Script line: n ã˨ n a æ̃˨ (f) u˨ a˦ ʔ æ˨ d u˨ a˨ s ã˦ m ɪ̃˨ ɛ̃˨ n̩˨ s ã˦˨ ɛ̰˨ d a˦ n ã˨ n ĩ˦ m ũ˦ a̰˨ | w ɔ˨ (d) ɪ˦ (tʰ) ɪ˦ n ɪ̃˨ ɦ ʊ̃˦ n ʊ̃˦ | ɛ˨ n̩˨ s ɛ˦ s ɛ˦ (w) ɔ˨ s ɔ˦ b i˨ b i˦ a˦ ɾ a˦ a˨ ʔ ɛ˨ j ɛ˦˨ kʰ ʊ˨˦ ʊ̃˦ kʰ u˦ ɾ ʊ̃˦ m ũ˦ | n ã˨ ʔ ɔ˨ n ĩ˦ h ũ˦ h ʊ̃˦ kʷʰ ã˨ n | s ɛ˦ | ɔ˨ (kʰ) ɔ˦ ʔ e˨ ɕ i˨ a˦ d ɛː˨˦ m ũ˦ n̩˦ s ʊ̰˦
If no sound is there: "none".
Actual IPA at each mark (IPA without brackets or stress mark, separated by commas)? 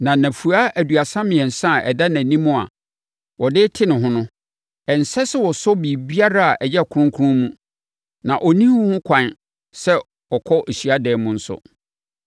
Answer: f, d, tʰ, w, kʰ